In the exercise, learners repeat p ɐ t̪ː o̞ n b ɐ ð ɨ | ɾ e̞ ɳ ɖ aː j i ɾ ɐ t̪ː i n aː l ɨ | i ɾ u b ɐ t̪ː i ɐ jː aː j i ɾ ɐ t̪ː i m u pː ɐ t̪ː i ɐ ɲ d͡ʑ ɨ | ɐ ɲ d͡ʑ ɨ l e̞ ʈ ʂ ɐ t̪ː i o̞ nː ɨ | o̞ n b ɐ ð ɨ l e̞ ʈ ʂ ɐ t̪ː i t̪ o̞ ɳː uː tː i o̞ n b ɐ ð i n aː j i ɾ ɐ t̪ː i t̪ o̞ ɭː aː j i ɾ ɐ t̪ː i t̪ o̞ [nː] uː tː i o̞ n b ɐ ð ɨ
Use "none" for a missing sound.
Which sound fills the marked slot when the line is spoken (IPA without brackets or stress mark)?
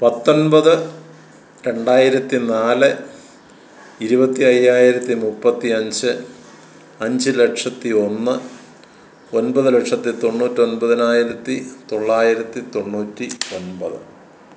ɳː